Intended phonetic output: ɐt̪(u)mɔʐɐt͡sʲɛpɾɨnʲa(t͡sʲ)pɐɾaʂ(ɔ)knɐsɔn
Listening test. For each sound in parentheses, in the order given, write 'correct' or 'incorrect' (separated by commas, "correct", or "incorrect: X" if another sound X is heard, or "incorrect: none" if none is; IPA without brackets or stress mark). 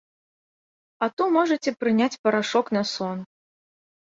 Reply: correct, correct, correct